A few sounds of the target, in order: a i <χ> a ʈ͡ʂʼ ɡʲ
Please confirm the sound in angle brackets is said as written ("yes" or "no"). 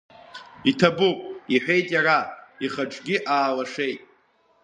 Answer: yes